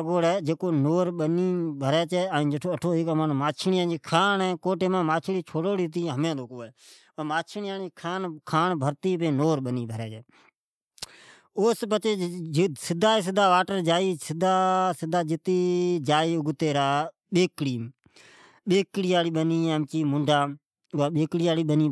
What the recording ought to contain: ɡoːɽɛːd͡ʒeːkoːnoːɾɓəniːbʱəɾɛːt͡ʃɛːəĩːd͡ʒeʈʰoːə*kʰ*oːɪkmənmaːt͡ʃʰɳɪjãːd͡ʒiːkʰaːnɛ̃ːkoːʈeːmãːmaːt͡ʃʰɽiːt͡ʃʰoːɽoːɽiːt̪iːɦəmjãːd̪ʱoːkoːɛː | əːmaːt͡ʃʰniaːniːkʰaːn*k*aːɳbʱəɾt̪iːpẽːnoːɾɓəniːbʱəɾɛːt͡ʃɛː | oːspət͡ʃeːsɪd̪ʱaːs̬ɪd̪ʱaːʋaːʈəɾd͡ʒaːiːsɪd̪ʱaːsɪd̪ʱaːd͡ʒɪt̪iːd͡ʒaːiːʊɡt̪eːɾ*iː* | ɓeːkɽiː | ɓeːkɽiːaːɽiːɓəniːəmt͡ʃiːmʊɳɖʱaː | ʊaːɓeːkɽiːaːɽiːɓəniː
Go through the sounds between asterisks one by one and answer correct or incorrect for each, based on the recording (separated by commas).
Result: incorrect, incorrect, incorrect